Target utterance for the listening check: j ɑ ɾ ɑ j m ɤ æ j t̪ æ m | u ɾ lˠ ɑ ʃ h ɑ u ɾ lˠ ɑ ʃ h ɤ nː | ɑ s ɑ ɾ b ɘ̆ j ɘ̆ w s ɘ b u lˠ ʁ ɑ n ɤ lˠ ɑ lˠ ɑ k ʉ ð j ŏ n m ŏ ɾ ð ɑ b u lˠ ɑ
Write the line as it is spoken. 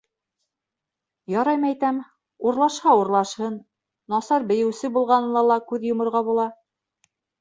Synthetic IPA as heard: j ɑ ɾ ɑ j m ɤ æ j t̪ æ m | u ɾ lˠ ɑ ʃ h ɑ u ɾ lˠ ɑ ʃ h ɤ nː | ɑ s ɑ ɾ b ɘ̆ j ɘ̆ w s ɘ b u lˠ ʁ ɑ n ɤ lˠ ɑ lˠ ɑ k ʉ ð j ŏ m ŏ ɾ ʁ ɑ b u lˠ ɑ